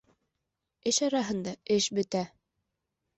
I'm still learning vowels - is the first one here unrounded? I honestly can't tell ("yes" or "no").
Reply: yes